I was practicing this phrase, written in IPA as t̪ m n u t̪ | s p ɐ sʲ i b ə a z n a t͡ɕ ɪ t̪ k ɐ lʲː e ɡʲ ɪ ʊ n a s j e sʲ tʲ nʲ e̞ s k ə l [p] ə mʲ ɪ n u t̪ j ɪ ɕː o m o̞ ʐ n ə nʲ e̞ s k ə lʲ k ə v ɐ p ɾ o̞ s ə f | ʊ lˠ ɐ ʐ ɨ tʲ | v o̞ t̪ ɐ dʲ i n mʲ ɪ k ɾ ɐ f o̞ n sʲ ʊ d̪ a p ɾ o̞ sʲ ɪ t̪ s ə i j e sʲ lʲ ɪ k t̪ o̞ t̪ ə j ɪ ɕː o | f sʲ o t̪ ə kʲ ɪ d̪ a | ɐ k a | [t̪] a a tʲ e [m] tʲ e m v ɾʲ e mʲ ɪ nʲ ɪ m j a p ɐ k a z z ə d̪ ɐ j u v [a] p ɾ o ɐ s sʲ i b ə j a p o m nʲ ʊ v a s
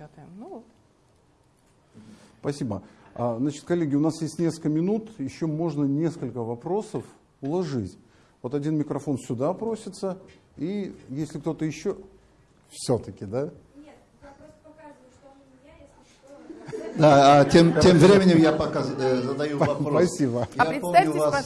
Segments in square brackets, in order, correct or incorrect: incorrect: k, incorrect: d̪, correct, incorrect: ɐ

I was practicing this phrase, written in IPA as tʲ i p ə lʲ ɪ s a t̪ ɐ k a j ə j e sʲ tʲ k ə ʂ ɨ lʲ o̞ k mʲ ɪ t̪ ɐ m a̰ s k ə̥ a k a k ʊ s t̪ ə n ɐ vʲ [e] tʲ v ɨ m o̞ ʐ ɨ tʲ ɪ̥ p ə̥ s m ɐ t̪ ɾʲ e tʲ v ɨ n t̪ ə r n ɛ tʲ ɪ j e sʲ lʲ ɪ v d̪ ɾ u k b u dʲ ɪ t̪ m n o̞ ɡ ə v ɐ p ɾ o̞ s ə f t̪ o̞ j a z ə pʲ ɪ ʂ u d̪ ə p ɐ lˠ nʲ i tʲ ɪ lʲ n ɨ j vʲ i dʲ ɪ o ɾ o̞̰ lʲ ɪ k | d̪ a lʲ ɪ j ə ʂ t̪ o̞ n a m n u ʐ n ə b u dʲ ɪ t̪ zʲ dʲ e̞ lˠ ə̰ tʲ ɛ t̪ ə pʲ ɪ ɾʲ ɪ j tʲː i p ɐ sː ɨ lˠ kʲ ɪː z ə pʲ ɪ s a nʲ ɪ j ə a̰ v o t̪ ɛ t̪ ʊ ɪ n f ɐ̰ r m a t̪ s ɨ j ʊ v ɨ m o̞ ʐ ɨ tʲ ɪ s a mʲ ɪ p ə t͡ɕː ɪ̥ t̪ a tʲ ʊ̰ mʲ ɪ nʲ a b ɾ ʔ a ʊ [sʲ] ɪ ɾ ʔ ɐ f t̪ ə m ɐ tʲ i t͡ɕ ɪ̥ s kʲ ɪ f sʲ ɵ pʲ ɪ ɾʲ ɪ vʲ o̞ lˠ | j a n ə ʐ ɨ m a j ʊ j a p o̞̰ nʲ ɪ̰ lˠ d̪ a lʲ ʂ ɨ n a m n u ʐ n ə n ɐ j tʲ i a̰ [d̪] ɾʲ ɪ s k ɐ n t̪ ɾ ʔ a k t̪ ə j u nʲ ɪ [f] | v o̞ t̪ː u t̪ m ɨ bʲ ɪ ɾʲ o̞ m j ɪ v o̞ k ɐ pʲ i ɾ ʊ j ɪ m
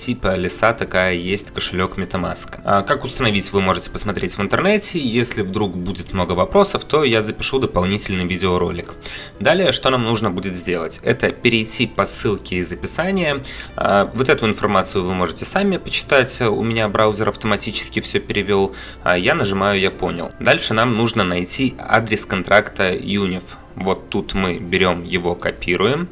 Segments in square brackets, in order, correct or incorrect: incorrect: i, incorrect: zʲ, correct, correct

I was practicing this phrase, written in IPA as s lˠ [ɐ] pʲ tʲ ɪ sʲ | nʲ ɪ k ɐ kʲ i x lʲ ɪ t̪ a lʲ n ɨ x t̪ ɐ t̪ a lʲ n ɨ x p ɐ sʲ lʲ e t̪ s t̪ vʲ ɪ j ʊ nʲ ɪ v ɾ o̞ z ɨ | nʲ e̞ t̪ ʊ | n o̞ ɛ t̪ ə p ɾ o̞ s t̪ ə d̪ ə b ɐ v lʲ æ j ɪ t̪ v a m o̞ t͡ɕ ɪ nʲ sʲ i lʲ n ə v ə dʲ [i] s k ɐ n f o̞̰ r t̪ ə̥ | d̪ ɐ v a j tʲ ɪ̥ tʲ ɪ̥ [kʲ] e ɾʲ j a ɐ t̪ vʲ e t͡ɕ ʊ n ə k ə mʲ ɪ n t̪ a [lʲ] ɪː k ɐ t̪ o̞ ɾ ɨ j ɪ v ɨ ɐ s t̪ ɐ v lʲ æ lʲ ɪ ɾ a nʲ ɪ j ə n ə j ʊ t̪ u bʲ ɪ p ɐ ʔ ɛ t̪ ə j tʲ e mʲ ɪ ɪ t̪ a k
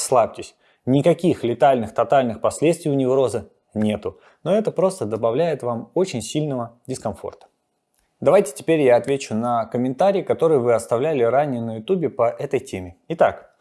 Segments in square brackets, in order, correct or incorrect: incorrect: a, incorrect: ɪ, incorrect: pʲ, incorrect: ɾʲ

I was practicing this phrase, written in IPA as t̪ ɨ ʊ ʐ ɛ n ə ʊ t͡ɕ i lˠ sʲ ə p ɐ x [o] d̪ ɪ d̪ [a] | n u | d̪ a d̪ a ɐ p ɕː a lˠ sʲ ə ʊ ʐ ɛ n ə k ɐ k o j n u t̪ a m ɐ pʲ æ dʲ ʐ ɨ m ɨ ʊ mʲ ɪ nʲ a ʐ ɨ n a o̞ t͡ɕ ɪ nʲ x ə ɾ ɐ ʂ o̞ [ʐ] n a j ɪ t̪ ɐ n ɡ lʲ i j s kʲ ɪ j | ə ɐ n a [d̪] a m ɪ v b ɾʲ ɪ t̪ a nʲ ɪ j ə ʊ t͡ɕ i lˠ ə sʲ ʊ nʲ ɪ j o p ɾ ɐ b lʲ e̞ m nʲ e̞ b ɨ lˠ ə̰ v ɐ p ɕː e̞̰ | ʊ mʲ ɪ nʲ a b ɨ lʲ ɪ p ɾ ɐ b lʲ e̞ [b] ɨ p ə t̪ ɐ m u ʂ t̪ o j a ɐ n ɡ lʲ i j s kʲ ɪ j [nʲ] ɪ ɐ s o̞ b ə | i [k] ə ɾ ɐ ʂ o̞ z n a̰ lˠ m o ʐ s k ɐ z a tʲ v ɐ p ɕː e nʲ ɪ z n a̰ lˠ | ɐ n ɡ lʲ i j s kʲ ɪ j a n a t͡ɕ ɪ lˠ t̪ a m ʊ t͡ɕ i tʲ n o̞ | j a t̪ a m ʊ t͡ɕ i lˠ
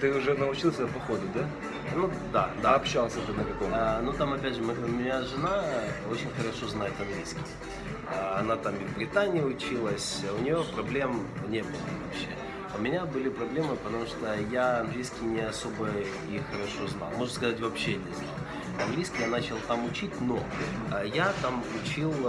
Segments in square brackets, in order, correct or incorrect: correct, correct, incorrect: z, incorrect: t̪, incorrect: m, correct, incorrect: x

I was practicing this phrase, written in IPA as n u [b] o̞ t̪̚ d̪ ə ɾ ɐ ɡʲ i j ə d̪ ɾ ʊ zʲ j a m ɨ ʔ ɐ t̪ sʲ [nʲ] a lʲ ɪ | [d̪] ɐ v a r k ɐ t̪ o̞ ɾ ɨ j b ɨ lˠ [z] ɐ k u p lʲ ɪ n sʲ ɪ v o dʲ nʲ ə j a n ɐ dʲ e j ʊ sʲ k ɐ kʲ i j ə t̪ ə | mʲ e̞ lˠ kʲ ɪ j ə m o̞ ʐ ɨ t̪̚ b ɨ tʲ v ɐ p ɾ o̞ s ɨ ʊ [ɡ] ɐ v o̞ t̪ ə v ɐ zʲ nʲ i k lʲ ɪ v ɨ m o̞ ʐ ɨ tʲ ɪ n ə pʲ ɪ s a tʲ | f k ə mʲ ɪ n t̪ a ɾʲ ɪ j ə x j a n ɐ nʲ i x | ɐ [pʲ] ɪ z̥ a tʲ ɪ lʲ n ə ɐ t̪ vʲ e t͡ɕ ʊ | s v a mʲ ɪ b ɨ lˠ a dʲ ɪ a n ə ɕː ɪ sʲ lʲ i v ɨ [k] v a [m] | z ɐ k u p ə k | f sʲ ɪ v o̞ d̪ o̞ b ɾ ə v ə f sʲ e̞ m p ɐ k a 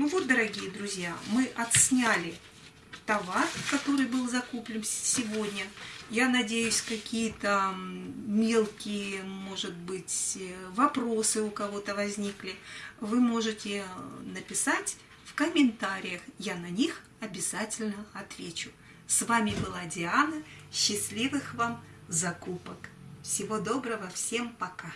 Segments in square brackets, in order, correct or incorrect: incorrect: v, correct, incorrect: t̪, correct, incorrect: k, incorrect: bʲ, incorrect: x, correct

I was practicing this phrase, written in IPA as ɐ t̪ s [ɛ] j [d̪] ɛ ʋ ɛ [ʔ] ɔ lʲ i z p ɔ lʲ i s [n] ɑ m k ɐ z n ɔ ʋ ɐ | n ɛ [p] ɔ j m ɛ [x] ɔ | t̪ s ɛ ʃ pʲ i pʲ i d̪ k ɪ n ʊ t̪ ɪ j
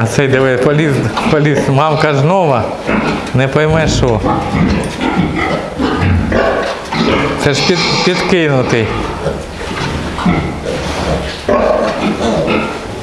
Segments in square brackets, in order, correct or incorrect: correct, correct, incorrect: p, incorrect: m, correct, incorrect: ʃ

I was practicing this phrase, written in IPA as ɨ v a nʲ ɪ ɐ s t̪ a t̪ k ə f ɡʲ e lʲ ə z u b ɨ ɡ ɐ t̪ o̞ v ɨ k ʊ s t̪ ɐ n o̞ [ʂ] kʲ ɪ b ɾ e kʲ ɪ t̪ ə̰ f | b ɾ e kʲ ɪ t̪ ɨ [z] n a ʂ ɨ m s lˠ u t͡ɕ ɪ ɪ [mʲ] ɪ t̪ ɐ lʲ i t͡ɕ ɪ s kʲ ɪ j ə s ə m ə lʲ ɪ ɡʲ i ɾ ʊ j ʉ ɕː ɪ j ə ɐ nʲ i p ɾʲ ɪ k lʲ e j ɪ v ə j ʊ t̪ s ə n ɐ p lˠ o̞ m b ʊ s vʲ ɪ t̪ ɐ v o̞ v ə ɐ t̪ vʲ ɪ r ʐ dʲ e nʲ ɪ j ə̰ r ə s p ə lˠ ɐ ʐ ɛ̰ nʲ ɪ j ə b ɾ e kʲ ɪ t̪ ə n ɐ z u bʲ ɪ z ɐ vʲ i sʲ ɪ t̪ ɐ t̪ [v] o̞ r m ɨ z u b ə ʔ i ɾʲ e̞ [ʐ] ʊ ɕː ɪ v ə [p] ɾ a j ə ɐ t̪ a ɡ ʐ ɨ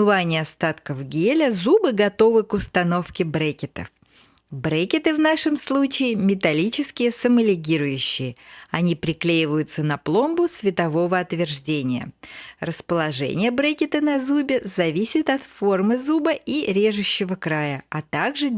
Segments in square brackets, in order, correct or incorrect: incorrect: f, incorrect: v, correct, incorrect: f, correct, incorrect: k

